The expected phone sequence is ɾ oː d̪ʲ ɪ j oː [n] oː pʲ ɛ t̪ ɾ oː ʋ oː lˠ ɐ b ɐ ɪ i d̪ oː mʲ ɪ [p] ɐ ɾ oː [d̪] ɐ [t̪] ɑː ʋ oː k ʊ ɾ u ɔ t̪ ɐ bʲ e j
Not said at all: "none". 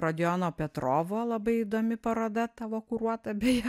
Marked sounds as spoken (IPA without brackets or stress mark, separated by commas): n, p, d̪, t̪